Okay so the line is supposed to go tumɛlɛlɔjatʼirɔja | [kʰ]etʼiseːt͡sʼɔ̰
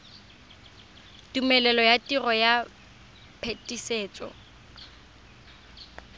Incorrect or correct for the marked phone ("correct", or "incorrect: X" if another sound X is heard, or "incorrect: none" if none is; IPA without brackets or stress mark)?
incorrect: pʰ